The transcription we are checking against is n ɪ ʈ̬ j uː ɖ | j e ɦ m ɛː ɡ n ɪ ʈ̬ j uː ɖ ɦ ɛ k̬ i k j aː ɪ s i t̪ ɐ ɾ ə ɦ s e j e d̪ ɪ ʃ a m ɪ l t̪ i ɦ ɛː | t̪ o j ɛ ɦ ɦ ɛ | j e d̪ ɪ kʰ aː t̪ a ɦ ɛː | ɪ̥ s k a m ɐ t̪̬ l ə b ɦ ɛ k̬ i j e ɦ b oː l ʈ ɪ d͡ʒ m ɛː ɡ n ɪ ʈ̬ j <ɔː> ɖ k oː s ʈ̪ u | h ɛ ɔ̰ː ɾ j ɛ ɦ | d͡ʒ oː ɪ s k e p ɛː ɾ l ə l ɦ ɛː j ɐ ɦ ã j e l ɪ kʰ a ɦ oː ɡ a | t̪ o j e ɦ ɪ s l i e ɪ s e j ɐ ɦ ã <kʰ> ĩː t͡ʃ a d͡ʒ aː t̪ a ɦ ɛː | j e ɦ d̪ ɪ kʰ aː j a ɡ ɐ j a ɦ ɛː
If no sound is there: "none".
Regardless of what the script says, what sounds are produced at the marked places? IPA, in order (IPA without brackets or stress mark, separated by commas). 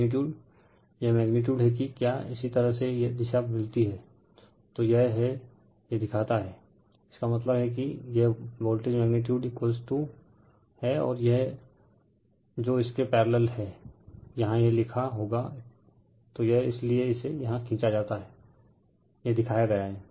uː, kʰ